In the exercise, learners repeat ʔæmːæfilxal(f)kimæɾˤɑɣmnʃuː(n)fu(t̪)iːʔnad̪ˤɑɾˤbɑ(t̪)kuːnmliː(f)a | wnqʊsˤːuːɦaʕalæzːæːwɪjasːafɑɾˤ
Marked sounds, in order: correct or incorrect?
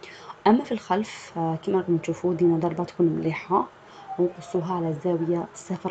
correct, incorrect: none, incorrect: d̪, correct, incorrect: ħ

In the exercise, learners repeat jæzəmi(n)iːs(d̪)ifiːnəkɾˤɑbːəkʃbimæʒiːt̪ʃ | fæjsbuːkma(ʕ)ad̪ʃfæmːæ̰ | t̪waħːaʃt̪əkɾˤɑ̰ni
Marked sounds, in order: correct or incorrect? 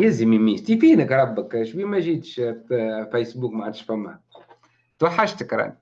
incorrect: m, incorrect: t̪, correct

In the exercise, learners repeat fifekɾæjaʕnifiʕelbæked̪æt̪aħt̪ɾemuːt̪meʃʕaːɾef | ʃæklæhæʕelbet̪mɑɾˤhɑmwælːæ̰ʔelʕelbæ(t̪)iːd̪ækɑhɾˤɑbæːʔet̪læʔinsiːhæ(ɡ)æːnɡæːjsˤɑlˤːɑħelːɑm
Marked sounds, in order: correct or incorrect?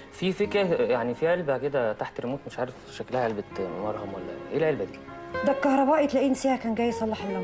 incorrect: d̪, incorrect: k

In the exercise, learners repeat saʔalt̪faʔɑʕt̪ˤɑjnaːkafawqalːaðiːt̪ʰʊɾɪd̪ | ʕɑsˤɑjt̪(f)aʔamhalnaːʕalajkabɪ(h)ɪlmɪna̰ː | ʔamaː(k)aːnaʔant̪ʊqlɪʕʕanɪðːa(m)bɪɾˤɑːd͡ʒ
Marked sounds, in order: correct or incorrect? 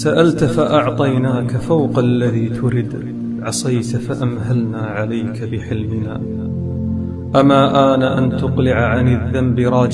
correct, incorrect: ħ, incorrect: ʔ, correct

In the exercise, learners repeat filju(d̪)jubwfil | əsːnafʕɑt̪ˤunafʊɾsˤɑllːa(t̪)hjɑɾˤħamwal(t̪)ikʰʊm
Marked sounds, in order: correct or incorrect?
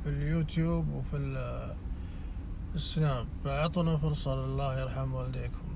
incorrect: t̪, incorrect: none, incorrect: d̪

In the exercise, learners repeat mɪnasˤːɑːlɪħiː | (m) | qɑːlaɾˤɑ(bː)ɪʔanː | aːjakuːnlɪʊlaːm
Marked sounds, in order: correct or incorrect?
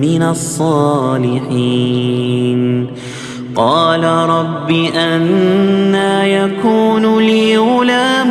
incorrect: n, correct

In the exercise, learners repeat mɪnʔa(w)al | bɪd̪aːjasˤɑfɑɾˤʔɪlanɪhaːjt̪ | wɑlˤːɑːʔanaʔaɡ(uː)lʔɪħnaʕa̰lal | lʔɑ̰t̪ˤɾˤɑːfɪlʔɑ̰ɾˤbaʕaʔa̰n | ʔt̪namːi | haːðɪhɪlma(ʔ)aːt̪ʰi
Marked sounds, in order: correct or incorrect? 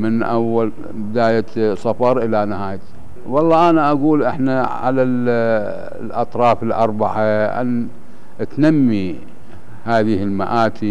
incorrect: wː, correct, correct

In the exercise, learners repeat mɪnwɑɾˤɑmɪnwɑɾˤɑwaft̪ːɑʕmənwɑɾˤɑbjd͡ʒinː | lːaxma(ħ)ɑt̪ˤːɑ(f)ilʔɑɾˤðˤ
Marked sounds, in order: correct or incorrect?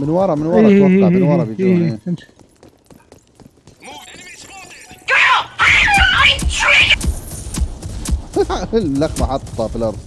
correct, correct

